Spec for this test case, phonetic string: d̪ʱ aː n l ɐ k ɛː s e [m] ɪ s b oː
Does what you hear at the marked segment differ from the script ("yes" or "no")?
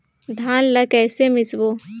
no